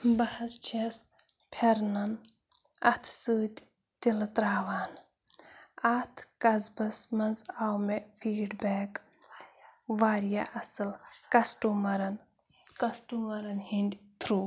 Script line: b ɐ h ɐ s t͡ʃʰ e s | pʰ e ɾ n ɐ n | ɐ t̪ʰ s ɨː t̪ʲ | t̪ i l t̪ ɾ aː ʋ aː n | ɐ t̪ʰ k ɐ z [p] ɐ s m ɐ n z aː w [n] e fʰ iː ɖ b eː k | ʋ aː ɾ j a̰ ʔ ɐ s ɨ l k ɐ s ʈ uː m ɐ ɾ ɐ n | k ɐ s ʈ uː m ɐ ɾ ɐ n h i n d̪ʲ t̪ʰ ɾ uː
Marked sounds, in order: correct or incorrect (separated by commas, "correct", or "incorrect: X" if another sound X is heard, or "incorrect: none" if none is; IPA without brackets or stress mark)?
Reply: incorrect: b, incorrect: m